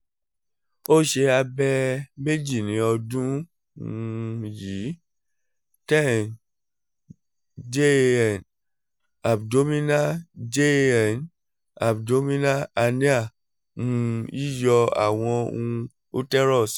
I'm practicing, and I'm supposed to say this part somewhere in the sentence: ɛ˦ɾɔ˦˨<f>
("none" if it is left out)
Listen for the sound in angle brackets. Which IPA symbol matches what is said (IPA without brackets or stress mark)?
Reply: s